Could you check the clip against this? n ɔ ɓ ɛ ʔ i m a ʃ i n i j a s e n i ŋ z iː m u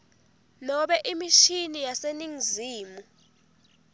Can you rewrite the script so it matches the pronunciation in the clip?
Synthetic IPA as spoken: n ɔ ɓ ɛ ʔ i m i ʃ i n i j a s e n i ŋ z iː m u